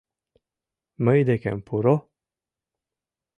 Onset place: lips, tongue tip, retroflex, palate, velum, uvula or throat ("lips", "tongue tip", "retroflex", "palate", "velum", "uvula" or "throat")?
lips